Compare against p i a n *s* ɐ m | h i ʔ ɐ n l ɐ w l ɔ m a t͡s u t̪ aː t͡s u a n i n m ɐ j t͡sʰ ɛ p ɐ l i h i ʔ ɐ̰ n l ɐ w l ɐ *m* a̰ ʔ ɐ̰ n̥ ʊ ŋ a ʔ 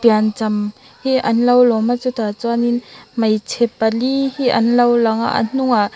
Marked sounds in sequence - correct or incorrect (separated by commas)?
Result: incorrect, incorrect